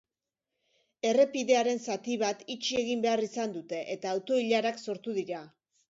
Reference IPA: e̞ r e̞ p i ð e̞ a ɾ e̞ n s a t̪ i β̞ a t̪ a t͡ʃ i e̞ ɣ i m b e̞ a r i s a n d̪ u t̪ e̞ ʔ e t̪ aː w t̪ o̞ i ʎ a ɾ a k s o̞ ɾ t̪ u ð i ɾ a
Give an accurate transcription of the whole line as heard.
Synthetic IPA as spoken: e̞ r e̞ p i ð e̞ a ɾ e̞ n s a t̪ i β̞ a t̪ i t͡ʃ i e̞ ɣ i m b e̞ a r i s a n d̪ u t̪ e̞ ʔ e t̪ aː w t̪ o̞ i ʎ a ɾ a k s o̞ ɾ t̪ u ð i ɾ a